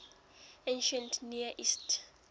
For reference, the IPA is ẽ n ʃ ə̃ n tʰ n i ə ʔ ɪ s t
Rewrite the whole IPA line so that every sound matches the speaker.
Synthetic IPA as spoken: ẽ n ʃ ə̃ n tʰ n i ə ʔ i s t